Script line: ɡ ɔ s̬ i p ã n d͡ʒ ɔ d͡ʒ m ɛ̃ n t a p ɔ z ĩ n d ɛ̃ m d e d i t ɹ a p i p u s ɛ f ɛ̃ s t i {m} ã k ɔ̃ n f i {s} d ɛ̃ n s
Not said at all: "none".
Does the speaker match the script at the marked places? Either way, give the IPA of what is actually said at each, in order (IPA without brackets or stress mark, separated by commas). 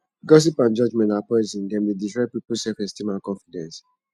m, none